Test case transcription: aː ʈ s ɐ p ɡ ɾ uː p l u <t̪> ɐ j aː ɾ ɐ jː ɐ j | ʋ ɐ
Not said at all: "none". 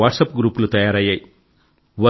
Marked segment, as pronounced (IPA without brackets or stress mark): t̪